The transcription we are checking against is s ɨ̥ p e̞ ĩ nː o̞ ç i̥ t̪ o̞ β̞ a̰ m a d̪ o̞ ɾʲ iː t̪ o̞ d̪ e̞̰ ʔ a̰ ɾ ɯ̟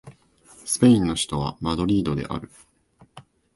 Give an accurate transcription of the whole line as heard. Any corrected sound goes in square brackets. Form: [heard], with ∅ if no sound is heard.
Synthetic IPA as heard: s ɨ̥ p e̞ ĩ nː o̞ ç i̥ t̪ o̞ β̞ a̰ m a d̪ o̞ ɾʲ iː [d̪] o̞ d̪ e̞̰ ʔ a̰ ɾ ɯ̟